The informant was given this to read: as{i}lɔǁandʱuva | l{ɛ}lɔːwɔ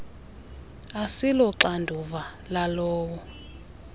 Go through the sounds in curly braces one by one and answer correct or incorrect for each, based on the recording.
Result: correct, incorrect: a

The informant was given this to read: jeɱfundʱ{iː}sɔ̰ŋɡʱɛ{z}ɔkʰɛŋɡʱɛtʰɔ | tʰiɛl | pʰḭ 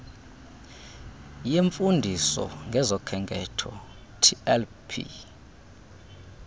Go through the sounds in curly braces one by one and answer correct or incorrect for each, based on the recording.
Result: incorrect: i, correct

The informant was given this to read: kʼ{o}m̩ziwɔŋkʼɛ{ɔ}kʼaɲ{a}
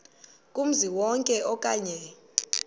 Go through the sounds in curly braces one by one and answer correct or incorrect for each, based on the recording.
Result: incorrect: u, correct, incorrect: ɛ

